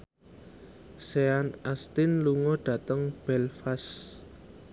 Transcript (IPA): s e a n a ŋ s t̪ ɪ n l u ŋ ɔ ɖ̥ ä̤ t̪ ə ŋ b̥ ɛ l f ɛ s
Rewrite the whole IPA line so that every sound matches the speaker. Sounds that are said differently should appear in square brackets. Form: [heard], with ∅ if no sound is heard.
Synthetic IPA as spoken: s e a n a [∅] s t̪ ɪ n l u ŋ ɔ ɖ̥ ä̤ t̪ ə ŋ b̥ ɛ l f [a] s